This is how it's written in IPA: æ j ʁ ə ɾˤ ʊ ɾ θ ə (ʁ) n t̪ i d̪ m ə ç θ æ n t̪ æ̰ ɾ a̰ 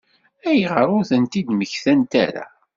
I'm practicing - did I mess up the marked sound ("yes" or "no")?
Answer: yes